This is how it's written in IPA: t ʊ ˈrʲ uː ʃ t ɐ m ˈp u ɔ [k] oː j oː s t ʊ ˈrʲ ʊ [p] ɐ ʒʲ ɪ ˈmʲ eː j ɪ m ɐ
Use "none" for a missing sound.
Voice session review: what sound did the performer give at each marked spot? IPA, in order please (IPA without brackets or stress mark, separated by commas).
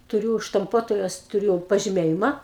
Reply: t, p